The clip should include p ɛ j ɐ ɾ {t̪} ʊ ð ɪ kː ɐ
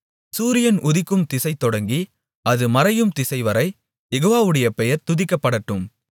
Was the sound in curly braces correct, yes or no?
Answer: yes